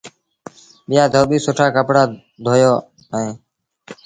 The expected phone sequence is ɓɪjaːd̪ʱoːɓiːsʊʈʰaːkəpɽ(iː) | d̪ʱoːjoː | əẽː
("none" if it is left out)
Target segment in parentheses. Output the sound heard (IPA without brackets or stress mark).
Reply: aː